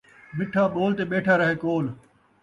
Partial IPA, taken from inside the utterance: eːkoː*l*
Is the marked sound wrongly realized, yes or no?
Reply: no